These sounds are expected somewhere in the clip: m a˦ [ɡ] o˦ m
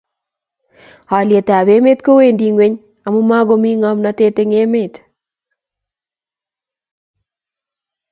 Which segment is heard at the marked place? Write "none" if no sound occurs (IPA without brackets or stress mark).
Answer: ɡ